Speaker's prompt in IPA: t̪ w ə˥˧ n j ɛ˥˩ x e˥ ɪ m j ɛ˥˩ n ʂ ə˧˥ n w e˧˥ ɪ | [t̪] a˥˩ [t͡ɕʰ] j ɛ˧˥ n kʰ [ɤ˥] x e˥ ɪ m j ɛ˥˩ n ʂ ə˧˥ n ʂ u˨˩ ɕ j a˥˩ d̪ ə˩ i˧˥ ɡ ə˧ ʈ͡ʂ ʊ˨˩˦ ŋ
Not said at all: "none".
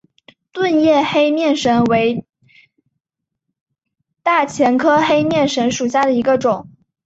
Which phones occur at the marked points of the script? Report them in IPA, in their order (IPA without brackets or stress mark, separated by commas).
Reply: t̪, t͡ɕʰ, ɤ˥